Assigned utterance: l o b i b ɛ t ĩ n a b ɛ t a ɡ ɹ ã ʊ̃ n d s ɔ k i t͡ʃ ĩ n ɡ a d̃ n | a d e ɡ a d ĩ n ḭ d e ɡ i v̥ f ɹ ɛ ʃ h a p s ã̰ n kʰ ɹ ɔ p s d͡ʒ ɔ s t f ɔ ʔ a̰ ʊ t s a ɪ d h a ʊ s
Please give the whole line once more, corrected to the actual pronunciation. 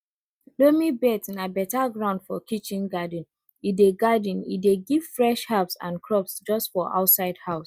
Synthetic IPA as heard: l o m i b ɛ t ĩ n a b ɛ t a ɡ ɹ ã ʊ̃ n d f ɔ k i t͡ʃ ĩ n ɡ a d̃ n | i d e ɡ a d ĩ n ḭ d e ɡ i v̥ f ɹ ɛ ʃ h a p s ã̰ n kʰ ɹ ɔ p s d͡ʒ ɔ s t f ɔ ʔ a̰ ʊ t s a ɪ d h a ʊ s

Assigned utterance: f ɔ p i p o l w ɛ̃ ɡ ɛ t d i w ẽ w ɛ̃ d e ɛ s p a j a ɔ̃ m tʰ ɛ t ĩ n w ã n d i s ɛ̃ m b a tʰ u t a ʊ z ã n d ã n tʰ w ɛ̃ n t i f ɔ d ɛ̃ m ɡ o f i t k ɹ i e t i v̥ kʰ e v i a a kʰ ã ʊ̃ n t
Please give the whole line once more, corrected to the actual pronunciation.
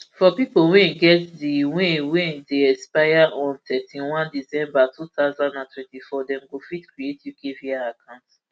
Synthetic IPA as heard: f ɔ p i p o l w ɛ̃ ɡ ɛ t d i w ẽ w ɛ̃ d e ɛ s p a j a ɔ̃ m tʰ ɛ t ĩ n w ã n d i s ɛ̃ m b a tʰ u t a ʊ z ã n d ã n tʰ w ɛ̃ n t i f ɔ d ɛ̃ m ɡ o f i t k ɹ i e t i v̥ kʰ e v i a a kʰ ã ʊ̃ n t

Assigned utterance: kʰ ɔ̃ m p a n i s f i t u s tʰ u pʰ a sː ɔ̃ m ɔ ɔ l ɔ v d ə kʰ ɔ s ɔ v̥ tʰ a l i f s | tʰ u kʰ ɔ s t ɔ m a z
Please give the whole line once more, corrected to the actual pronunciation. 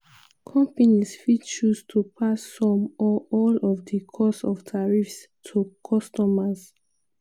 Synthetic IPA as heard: kʰ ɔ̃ m p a n i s f i t͡ʃ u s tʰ u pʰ a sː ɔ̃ m ɔ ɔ l ɔ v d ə kʰ ɔ s ɔ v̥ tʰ a ɹ i f s | tʰ u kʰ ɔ s t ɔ m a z

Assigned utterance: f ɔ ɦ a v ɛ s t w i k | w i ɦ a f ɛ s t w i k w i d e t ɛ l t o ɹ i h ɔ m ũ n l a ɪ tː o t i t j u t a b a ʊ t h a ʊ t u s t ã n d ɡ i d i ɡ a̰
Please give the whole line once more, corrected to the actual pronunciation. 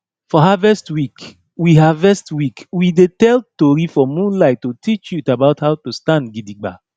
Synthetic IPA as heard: f ɔ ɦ a v ɛ s t w i k | w i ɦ a v ɛ s t w i k w i d e t ɛ l t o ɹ i f ɔ m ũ n l a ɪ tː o t i t͡ʃ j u t a b a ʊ t h a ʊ t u s t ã n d ɡ i d i ɡ͡b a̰

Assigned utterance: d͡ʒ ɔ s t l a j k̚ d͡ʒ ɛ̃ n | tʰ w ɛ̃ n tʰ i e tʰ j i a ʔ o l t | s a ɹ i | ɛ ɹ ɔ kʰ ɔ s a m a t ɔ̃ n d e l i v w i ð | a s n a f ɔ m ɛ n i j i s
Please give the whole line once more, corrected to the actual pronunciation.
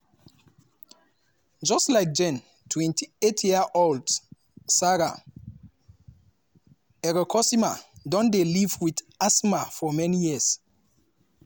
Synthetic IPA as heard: d͡ʒ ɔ s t l a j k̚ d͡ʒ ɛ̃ n | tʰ w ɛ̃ n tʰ i e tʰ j i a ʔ o l d | s a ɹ a | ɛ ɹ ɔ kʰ ɔ s i m a d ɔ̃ n d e l i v w i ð | a s m a f ɔ m ɛ n i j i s

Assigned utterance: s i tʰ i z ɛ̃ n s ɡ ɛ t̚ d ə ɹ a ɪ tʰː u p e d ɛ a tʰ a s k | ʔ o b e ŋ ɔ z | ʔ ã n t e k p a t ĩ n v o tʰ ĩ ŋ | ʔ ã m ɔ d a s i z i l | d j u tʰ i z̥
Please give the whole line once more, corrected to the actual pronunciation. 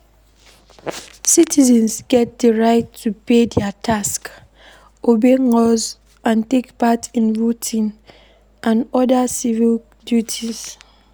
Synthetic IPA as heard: s i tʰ i z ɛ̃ n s ɡ ɛ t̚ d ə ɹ a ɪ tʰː u p e d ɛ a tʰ a s k | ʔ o b e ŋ ɔ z | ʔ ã n t e k p a t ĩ n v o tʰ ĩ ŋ | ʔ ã n ɔ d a s i v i l | d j u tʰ i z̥

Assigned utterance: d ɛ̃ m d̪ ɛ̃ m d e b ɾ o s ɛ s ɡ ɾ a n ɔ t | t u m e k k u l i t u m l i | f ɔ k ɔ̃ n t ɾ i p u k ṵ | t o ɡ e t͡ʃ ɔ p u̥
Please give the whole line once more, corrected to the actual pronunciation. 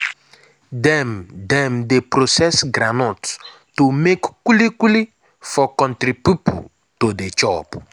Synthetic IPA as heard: d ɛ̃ m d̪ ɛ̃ m d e p ɾ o s ɛ s ɡ ɾ a n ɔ t | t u m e k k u l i k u l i | f ɔ k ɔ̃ n t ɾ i p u p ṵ | t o d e t͡ʃ ɔ p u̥

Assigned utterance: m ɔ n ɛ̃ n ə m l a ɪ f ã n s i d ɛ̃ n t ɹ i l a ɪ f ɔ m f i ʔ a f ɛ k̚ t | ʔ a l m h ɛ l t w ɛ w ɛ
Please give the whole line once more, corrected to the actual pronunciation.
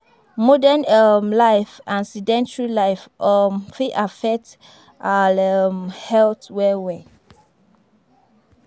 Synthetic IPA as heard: m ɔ d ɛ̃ n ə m l a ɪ f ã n s i d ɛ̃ n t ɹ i l a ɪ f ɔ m f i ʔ a f ɛ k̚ t | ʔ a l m h ɛ l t w ɛ w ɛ

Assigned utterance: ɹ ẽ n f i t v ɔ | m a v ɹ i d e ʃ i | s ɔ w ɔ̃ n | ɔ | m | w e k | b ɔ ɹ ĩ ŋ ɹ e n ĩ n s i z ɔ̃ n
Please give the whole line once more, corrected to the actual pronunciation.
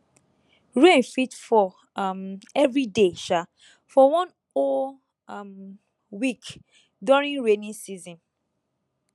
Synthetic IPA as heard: ɹ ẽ n f i t f ɔ | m ɛ v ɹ i d e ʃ a | f ɔ w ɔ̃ n | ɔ | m | w i k | d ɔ ɹ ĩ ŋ ɹ e n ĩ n s i z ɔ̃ n

